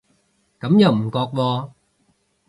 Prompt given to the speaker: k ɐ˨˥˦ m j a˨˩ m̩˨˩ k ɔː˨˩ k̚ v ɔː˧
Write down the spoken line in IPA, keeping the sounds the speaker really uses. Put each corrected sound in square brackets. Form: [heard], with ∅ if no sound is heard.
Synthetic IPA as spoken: k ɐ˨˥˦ m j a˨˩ m̩˨˩ k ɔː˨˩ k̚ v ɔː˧